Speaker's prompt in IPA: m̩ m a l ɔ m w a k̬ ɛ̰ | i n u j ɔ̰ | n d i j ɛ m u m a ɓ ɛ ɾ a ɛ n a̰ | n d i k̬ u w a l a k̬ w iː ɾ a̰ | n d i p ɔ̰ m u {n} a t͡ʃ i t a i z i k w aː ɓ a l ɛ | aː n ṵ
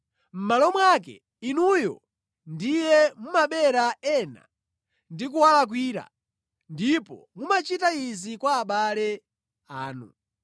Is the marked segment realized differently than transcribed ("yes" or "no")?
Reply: yes